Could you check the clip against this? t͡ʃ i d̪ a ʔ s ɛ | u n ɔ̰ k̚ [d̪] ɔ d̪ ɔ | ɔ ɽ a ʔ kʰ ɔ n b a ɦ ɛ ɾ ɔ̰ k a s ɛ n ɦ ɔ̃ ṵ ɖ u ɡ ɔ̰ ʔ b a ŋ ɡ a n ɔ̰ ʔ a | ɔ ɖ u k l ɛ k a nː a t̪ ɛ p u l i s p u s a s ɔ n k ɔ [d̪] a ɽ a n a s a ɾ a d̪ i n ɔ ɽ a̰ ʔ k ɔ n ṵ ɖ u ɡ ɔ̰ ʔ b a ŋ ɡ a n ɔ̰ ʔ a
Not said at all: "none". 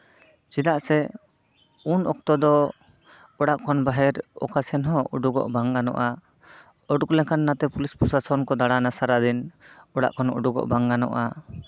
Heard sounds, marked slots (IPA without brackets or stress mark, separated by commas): t̪, d̪